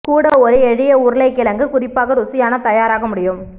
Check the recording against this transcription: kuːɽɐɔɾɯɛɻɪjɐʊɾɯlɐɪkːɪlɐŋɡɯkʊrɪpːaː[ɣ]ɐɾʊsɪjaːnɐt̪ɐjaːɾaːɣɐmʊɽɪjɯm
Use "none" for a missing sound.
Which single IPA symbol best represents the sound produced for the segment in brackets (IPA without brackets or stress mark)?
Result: ɣ